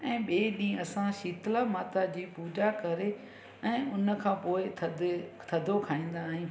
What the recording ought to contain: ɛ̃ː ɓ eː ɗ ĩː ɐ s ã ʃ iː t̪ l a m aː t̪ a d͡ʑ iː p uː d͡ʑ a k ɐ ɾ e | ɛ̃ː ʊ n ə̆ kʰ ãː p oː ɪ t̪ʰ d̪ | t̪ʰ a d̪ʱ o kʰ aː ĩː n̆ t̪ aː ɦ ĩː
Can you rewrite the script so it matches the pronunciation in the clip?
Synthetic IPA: ɛ̃ː ɓ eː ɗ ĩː ɐ s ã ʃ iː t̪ l a m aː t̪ a d͡ʑ iː p uː d͡ʑ a k ɐ ɾ e | ɛ̃ː ʊ n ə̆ kʰ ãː p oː ɪ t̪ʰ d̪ | t̪ʰ ɐ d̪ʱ o kʰ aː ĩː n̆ d̪ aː ɦ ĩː